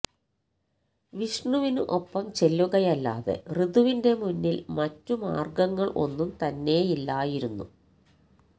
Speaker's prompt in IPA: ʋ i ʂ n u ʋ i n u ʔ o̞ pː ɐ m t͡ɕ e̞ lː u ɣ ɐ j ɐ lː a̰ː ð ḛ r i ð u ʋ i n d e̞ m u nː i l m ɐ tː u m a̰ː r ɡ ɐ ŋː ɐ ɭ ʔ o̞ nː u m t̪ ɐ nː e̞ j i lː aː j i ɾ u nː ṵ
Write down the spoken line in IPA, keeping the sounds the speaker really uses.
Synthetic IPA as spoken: ʋ i ʂ ɳ u ʋ i n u ʔ o̞ pː ɐ m t͡ɕ e̞ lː u ɣ ɐ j ɐ lː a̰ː ð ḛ r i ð u ʋ i n d e̞ m u nː i l m ɐ tː u m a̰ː r ɡ ɐ ŋː ɐ ɭ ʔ o̞ nː u m t̪ ɐ nː e̞ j i lː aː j i ɾ u nː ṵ